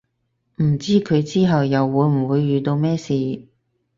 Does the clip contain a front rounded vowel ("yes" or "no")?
yes